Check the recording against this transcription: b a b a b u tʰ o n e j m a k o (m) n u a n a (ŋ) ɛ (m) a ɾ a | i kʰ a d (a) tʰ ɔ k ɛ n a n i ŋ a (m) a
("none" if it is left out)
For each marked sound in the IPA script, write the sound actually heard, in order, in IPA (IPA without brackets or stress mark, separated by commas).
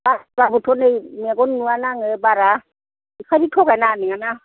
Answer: n, ŋ, b, i, n